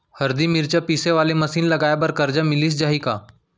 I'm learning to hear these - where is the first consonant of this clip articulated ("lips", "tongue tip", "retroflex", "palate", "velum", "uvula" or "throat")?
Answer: throat